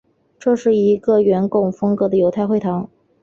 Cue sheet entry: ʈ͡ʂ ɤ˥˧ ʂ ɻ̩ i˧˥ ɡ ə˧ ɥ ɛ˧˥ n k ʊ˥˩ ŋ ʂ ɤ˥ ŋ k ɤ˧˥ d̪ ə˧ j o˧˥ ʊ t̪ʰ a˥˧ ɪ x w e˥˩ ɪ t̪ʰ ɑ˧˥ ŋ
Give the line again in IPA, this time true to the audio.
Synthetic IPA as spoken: ʈ͡ʂ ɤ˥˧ ʂ ɻ̩ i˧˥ ɡ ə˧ ɥ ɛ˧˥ n k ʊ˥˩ ŋ f ɤ˥ ŋ k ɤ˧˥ d̪ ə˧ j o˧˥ ʊ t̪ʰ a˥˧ ɪ x w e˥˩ ɪ t̪ʰ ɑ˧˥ ŋ